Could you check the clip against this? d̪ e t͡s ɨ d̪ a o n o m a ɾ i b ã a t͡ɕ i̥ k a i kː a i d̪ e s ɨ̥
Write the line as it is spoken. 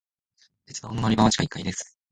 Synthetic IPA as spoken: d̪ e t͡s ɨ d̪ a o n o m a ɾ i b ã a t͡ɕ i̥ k a i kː a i d̪ e s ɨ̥